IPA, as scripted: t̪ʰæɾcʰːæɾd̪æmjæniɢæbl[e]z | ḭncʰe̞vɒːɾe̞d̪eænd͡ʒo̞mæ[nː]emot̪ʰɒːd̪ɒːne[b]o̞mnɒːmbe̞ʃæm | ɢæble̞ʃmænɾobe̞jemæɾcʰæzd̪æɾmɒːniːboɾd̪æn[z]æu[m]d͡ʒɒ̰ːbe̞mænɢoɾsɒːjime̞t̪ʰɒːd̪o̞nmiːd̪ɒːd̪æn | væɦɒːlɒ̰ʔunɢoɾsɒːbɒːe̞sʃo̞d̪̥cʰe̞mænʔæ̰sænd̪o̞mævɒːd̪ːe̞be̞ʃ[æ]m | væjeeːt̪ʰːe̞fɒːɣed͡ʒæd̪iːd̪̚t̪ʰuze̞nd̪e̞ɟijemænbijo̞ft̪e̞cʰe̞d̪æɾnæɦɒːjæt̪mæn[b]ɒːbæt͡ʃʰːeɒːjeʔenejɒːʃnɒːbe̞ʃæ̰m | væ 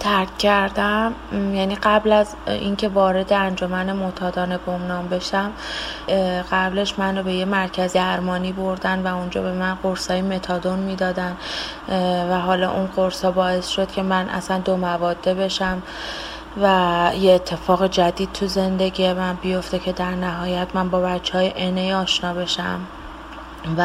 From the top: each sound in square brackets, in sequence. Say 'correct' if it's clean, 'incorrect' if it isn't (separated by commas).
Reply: incorrect, incorrect, correct, incorrect, incorrect, correct, correct